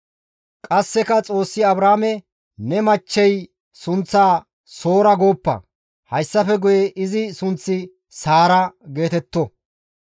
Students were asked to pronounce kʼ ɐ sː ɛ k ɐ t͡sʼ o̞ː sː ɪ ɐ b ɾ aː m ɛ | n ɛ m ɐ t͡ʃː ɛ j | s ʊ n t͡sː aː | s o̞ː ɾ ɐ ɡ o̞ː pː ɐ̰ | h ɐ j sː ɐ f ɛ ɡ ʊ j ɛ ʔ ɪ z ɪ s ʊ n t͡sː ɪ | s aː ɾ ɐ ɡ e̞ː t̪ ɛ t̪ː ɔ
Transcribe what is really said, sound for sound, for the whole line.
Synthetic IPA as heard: kʼ ɐ sː ɛ k ɐ t͡sʼ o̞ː sː ɪ ɐ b ɾ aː m ɛ | n ɛ m ɐ t͡ʃː ɛ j | s ʊ n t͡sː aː | s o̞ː ɾ ɐ ɡ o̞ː pː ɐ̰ | h ɐ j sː ɐ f ɛ ɡ ʊ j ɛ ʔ ɪ z ɪ s ʊ n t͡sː ɪ | s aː ɾ ɐ ɡ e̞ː t̪ ɛ t̪ː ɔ

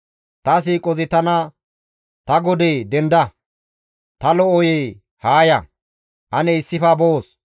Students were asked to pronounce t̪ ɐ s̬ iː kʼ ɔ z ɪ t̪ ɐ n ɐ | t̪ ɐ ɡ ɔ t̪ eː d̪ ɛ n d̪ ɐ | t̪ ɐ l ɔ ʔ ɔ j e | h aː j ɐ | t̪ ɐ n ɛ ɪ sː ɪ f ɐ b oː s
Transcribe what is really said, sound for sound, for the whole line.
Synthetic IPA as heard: t̪ ɐ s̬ iː kʼ ɔ z ɪ t̪ ɐ n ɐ | t̪ ɐ ɡ ɔ d̪ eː d̪ ɛ n d̪ ɐ | t̪ ɐ l ɔ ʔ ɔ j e | h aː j ɐ | t̪ ɐ n ɛ ɪ sː ɪ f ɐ b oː s

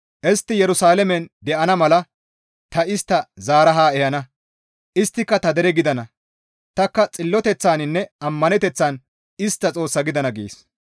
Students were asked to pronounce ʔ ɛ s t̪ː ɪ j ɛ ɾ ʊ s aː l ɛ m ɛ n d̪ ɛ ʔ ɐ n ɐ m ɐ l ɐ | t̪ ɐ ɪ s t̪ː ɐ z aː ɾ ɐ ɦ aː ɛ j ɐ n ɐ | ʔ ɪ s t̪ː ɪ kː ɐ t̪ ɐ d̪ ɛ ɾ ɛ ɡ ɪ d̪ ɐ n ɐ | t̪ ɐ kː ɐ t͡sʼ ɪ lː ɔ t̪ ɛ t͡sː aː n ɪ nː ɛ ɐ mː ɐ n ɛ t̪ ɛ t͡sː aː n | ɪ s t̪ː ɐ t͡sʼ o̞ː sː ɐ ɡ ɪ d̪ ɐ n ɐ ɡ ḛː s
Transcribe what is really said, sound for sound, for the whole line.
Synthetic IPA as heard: ʔ ɛ s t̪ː ɪ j ɛ ɾ ʊ s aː l ɛ m ɛ n d̪ ɛ ʔ ɐ n ɐ m ɐ l ɐ | t̪ ɐ ɪ s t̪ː ɐ z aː ɾ ɐ ɦ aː ɛ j ɐ n ɐ | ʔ ɪ s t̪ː ɪ kː ɐ t̪ ɐ d̪ ɛ ɾ ɛ ɡ ɪ d̪ ɐ n ɐ | t̪ ɐ kː ɐ t͡sʼ ɪ lː ɔ t̪ ɛ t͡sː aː n ɪ nː ɛ ɐ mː ɐ n ɛ t̪ ɛ t͡sː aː n | ɪ s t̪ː ɐ t͡sʼ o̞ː sː ɐ ɡ ɪ d̪ ɐ n ɐ ɡ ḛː s

